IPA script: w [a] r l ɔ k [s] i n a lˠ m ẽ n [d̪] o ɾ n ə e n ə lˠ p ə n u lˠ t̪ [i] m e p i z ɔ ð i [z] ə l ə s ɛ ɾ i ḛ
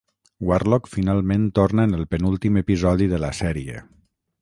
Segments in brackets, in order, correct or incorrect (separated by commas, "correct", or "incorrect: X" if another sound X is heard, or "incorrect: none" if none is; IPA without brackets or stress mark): correct, incorrect: f, incorrect: t̪, correct, incorrect: ð